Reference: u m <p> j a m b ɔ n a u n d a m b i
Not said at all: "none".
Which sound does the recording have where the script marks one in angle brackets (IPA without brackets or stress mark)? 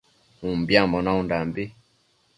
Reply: b